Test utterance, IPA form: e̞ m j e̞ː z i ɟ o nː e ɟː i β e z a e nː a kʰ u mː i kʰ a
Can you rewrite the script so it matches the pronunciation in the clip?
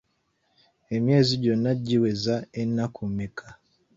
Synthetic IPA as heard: e̞ m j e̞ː z i ɟ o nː a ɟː i w e z a e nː a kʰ u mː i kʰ a